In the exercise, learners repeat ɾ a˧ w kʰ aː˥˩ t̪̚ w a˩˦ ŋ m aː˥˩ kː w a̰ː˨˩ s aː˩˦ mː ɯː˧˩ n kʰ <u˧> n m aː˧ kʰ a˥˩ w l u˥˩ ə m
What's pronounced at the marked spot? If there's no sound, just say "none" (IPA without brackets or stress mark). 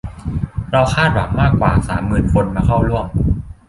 o˧